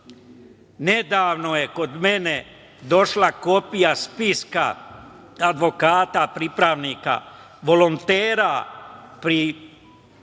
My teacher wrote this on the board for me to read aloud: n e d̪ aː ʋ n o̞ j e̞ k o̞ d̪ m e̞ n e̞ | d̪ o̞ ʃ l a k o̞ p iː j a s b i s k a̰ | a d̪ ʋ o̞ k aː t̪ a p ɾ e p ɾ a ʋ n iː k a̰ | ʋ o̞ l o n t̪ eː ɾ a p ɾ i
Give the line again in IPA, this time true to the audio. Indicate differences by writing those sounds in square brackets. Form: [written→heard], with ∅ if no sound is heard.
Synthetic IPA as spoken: n e d̪ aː ʋ n o̞ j e̞ k o̞ d̪ m e̞ n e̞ | d̪ o̞ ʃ l a k o̞ p [iː→i] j a s [b→p] i s k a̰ | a d̪ ʋ o̞ k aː t̪ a p ɾ [e→i] p ɾ a ʋ n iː k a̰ | ʋ o̞ l o n t̪ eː ɾ a p ɾ i

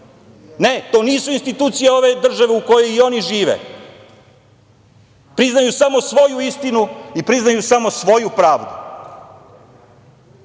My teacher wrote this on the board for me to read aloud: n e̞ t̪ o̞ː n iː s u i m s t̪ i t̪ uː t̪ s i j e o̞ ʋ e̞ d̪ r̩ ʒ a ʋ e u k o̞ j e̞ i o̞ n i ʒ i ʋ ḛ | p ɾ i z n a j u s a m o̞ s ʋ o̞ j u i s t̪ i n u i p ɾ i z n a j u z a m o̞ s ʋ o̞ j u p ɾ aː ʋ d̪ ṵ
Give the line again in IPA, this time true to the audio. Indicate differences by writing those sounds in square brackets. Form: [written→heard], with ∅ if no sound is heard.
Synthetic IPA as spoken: n e̞ t̪ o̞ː n iː s u i [m→n] s t̪ i t̪ uː t̪ s i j e o̞ ʋ e̞ d̪ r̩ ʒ a ʋ e u k o̞ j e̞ i o̞ n i ʒ [i→iː] ʋ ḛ | p ɾ i z n a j u s a m o̞ s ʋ o̞ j u i s t̪ i n u i p ɾ i z n a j u [z→s] a m o̞ s ʋ o̞ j u p ɾ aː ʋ d̪ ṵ

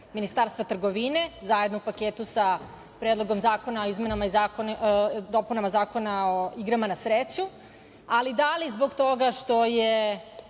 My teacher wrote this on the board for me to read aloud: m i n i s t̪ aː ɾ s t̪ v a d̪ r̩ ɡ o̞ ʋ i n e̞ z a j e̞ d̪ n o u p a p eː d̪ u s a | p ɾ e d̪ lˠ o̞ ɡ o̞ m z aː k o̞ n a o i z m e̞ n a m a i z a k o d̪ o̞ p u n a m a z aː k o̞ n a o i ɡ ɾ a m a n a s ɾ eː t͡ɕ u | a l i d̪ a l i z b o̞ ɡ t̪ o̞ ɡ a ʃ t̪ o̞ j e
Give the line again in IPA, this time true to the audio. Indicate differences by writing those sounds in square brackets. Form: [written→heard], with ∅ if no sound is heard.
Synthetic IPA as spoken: m i n i s t̪ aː ɾ s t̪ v a [d̪→t̪] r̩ ɡ o̞ ʋ i n e̞ z a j e̞ d̪ n o u p a [p→k] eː [d̪→t̪] u s a | p ɾ e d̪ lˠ o̞ ɡ o̞ m z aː k o̞ n a o i z m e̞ n a m a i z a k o d̪ o̞ p u n a m a z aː k o̞ n a o i ɡ ɾ a m a n a s ɾ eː t͡ɕ u | a l i d̪ a l i z b o̞ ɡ t̪ o̞ ɡ a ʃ t̪ o̞ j e

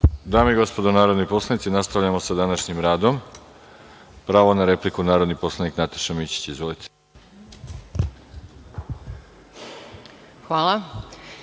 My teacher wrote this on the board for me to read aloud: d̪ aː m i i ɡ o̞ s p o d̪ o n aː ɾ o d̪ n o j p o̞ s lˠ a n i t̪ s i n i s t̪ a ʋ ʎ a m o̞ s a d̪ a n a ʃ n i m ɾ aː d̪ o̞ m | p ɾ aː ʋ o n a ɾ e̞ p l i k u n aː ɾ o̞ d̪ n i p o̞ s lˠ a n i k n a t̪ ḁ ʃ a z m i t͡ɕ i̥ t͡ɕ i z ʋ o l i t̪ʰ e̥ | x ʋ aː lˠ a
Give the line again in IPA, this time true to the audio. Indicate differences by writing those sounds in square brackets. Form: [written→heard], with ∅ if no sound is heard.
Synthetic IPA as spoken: d̪ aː m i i ɡ o̞ s p o d̪ o n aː ɾ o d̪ n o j p o̞ s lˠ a n i t̪ s i n [i→a] s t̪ a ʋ ʎ a m o̞ s a d̪ a n a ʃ [n→ɲ] i m ɾ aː d̪ o̞ m | p ɾ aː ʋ o n a ɾ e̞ p l i k u n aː ɾ o̞ d̪ n i p o̞ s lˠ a n i k n a t̪ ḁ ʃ a [z→∅] m i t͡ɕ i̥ t͡ɕ i z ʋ o l i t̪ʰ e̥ | x ʋ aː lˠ a

